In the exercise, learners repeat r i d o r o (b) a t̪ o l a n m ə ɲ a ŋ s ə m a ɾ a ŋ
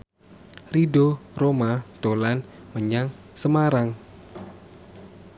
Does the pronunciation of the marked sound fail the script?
yes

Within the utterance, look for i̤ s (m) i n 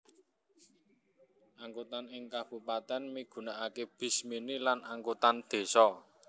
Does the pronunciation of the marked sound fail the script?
no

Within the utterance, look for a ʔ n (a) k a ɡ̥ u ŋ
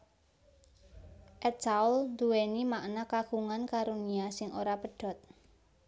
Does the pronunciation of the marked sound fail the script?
no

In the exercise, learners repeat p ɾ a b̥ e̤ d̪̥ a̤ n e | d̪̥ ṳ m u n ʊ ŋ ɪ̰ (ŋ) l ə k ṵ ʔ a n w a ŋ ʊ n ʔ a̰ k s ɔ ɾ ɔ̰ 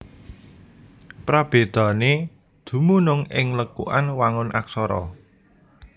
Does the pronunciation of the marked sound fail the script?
no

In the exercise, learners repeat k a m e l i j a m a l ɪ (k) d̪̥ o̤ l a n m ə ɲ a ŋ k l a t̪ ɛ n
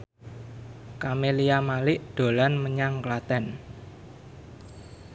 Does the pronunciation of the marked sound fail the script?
yes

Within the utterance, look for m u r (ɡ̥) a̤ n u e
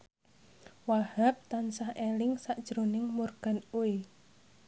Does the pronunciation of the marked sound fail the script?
no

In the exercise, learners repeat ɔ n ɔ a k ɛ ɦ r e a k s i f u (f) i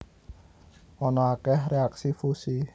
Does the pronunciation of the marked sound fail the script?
yes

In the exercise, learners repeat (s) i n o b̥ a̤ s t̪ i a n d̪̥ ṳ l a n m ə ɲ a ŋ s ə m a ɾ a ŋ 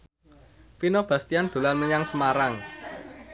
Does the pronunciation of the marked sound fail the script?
yes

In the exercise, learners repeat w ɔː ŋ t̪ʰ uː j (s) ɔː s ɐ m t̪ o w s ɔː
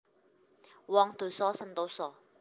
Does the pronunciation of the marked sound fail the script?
no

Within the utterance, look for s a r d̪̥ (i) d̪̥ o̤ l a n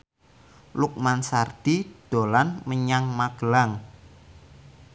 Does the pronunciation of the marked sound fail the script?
no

